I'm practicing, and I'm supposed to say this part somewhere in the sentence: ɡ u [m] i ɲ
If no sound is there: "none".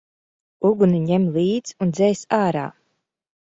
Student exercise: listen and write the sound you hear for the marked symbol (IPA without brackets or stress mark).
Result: n